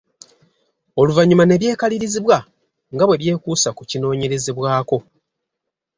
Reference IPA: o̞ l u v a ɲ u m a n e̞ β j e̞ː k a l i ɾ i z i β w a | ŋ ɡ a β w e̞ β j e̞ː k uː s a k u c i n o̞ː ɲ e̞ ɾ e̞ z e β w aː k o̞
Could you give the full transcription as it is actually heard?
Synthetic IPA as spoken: o̞ l u v a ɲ u m a n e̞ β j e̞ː k a l i ɾ i z i β w a | ŋ ɡ a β w e̞ β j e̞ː k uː s a k u c i n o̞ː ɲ e̞ ɾ e̞ z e β w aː k o̞

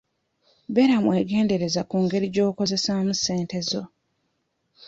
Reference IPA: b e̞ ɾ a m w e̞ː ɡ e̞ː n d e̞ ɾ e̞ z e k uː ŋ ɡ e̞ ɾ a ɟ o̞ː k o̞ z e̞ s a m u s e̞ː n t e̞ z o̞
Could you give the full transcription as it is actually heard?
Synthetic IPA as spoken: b e̞ ɾ a m w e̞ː ɡ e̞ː n d e̞ ɾ e̞ z a k uː ŋ ɡ e̞ ɾ i ɟ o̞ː k o̞ z e̞ s a m u s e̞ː n t e̞ z o̞

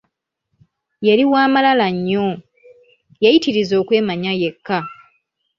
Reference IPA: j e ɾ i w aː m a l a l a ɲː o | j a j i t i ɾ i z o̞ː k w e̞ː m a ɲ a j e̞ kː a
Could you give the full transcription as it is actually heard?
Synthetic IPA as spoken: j e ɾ i w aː m a l a l a ɲː o | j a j i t i ɾ i z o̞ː k w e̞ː m a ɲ a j e̞ kː a

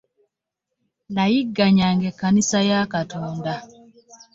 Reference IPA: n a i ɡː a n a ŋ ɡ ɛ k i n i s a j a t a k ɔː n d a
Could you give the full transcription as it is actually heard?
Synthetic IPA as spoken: n a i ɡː a ɲ a ŋ ɡ ɛ k a n i s a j a k a t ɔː n d a

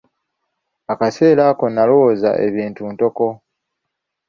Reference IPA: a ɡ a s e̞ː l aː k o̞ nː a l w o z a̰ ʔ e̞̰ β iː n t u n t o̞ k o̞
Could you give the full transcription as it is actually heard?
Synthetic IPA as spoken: a k a s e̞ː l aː k o̞ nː a l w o z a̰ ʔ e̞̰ β iː n t u n t o̞ k o̞

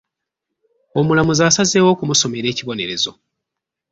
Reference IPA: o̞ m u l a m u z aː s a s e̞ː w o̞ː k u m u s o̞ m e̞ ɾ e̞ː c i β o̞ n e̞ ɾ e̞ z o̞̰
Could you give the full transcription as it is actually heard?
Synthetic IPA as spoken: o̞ m u l a m u z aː s a z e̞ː w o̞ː k u m u s o̞ m e̞ ɾ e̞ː c i β o̞ n e̞ ɾ e̞ z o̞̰

